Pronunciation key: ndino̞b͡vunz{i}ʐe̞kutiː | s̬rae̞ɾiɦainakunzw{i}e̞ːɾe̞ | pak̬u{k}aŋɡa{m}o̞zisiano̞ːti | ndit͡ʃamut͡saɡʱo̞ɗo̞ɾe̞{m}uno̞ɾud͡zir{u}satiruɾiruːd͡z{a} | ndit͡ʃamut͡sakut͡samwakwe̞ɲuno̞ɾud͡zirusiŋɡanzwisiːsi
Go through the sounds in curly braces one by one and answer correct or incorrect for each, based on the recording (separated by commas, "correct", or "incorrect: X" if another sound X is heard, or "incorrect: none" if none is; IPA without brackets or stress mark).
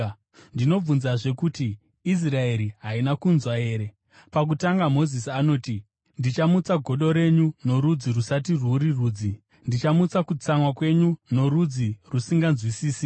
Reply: incorrect: a, incorrect: a, incorrect: t, correct, incorrect: ɲ, correct, incorrect: i